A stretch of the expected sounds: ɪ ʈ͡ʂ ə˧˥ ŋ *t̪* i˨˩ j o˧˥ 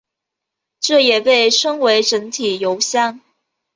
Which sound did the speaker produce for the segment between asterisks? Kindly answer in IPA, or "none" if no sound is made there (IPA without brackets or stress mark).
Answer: t̪ʰ